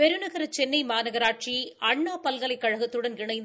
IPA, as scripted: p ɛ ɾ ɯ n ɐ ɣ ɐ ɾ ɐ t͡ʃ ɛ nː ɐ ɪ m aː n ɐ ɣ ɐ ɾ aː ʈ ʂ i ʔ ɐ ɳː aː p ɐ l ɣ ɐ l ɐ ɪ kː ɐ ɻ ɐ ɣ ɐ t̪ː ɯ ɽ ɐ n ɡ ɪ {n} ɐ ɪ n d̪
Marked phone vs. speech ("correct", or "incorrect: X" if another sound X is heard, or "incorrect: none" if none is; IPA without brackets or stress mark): incorrect: ɳ